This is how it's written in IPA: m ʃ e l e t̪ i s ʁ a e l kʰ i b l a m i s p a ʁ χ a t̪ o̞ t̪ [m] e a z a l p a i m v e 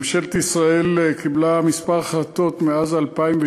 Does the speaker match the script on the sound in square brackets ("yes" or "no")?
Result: yes